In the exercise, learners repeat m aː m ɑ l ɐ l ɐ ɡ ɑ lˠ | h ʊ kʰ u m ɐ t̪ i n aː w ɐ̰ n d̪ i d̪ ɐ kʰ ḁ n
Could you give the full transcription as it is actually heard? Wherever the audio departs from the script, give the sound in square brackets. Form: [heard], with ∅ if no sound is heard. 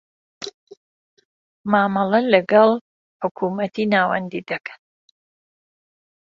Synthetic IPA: m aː m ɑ l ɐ l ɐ ɡ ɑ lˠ | [ħ] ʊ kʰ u m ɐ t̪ i n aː w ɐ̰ n d̪ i d̪ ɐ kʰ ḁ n

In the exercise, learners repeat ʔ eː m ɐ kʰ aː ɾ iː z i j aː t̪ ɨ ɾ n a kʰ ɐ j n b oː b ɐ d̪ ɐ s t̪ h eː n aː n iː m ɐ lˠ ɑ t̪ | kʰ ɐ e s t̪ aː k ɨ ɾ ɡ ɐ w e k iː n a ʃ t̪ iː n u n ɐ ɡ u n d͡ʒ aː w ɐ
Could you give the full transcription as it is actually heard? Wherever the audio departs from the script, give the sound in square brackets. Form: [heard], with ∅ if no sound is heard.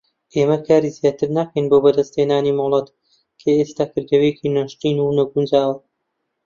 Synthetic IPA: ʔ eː m ɐ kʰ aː ɾ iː z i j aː t̪ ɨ ɾ n a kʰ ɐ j n b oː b ɐ d̪ ɐ s t̪ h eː n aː n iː m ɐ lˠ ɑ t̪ | kʰ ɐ e s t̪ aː k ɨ ɾ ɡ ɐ w e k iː n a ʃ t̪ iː n u n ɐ ɡ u n d͡ʒ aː w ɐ

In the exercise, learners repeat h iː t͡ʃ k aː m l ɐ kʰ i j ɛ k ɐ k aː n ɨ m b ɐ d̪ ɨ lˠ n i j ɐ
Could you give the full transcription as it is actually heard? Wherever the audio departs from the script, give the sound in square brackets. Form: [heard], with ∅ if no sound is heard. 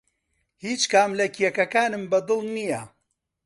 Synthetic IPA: h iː t͡ʃ k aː m l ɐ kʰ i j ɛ k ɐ k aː n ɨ m b ɐ d̪ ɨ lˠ n i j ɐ

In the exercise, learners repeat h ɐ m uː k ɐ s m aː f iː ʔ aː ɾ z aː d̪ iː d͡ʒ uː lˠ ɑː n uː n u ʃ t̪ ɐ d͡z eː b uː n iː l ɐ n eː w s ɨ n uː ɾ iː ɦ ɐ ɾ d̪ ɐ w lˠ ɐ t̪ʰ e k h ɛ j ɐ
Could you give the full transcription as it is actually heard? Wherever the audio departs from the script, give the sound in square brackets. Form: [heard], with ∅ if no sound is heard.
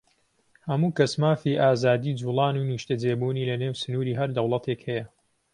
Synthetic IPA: h ɐ m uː k ɐ s m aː f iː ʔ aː [∅] z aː d̪ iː d͡ʒ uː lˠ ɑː n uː n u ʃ t̪ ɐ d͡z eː b uː n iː l ɐ n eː w s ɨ n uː ɾ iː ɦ ɐ ɾ d̪ ɐ w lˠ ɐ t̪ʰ e k h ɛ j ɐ

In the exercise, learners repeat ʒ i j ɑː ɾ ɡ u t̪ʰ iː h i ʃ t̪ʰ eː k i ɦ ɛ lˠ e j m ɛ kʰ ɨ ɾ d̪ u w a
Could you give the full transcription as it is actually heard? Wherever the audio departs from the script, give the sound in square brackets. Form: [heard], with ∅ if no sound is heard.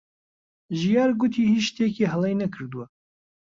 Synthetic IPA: ʒ i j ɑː ɾ ɡ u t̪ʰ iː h i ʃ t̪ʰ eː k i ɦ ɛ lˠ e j [n] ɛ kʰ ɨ ɾ d̪ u w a

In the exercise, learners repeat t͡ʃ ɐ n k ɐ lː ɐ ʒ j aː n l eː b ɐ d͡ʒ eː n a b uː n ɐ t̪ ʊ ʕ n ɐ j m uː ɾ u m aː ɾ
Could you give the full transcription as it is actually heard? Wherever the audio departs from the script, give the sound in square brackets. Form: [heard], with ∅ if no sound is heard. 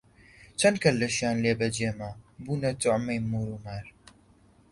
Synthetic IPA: t͡ʃ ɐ n k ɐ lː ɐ [ʃ] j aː n l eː b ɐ d͡ʒ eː [m] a b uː n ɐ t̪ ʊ ʕ [m] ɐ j m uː ɾ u m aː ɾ

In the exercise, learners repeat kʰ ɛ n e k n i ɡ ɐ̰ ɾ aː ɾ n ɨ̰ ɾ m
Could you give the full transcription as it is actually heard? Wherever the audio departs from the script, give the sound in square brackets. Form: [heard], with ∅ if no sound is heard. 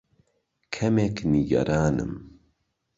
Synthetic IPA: kʰ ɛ [m] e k n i ɡ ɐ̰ ɾ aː [∅] n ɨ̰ [∅] m

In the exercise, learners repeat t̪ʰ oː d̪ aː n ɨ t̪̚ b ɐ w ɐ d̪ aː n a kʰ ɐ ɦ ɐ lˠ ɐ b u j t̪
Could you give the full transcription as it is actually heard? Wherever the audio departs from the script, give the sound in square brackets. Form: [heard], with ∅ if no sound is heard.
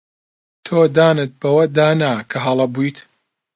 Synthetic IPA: t̪ʰ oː d̪ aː n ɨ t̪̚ b ɐ w ɐ d̪ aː n a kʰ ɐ ɦ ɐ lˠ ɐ b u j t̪

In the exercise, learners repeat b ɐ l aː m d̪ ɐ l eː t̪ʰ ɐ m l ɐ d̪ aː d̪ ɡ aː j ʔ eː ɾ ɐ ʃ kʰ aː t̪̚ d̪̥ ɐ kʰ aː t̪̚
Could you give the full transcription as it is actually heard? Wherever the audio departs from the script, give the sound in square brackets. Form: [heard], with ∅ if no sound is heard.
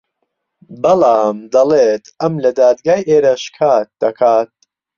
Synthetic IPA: b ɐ l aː m d̪ ɐ l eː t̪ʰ ɐ m l ɐ d̪ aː d̪ ɡ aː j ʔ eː ɾ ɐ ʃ kʰ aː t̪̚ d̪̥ ɐ kʰ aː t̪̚

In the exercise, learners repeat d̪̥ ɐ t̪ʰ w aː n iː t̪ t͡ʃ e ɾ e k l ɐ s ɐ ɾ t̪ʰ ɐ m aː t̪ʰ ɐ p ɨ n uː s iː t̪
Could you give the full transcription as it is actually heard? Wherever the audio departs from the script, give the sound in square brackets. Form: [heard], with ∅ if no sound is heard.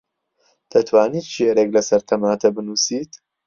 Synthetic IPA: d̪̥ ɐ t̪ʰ w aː n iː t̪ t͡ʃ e ɾ e k l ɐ s ɐ ɾ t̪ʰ ɐ m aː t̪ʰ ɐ [b] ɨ n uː s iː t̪

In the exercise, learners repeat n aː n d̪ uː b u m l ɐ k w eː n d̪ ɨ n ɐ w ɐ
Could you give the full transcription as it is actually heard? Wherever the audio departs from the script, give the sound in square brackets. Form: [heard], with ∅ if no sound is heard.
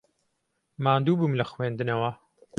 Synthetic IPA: [m] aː n d̪ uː b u m l ɐ [x] w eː n d̪ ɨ n ɐ w ɐ

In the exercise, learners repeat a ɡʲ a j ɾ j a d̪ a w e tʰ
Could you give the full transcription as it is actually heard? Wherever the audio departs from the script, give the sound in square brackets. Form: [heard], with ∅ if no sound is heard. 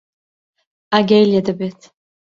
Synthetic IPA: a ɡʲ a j [l] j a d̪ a [b] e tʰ

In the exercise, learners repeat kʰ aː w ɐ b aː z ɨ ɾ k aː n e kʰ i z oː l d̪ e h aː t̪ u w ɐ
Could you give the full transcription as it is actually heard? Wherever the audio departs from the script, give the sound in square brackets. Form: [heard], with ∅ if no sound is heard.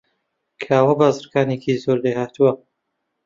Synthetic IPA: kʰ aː w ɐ b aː z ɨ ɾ k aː n e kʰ i z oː [ɾ] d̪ e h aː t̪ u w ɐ

